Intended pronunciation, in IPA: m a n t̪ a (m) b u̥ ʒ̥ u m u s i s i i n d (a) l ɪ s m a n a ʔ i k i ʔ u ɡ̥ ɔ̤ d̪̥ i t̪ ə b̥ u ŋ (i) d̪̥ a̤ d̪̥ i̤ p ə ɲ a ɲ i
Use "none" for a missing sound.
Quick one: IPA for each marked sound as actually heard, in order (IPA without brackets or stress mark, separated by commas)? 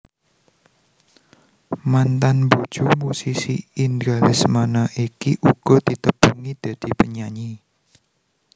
n, a, i